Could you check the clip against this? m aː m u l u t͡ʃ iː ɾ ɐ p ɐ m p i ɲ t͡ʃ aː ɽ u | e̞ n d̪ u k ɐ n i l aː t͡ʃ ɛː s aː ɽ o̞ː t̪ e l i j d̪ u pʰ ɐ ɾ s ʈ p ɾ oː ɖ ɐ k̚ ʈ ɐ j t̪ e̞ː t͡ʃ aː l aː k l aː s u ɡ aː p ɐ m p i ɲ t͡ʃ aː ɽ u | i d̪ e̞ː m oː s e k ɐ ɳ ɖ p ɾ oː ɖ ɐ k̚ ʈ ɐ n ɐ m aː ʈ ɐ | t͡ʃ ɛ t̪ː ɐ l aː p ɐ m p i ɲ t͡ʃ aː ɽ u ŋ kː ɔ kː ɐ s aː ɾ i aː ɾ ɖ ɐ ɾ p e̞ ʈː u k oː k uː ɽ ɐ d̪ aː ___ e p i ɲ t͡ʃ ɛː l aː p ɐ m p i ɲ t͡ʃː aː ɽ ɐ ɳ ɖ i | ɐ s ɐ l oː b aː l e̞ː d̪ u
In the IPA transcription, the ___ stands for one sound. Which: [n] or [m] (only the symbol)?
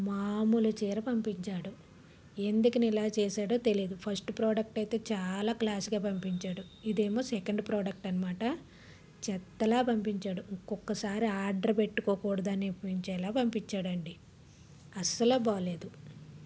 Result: n